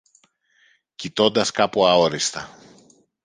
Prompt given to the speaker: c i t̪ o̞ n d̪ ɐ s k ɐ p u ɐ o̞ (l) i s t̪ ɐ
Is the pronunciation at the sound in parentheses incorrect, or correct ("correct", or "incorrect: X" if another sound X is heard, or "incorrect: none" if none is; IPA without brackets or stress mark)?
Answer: incorrect: ɾ